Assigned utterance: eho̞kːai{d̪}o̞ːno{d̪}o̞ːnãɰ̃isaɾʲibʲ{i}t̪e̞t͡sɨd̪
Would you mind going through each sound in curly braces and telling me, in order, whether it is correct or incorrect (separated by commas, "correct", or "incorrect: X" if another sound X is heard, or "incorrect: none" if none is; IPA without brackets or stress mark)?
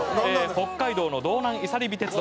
correct, correct, correct